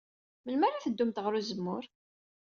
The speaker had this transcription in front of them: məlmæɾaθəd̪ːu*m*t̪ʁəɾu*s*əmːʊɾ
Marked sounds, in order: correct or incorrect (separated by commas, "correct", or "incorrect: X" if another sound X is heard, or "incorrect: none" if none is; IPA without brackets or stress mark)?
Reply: correct, incorrect: z